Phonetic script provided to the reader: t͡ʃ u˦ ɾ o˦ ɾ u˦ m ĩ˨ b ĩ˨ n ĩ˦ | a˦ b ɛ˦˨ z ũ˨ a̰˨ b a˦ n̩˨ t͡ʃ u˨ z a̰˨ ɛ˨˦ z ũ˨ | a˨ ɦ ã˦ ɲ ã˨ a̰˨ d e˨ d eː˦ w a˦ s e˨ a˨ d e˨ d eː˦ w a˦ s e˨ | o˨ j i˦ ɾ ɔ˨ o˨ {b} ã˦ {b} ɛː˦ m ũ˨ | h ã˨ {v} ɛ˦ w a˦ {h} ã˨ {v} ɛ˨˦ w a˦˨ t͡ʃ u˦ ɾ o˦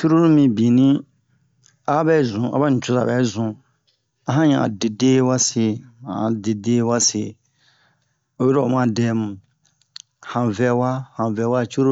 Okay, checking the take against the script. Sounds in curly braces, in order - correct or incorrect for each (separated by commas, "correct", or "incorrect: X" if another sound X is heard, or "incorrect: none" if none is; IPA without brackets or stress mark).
incorrect: m, incorrect: d, correct, correct, correct